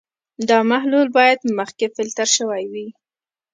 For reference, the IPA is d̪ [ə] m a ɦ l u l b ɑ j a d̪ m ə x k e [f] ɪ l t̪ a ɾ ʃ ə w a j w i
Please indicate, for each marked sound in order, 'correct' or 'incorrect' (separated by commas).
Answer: incorrect, correct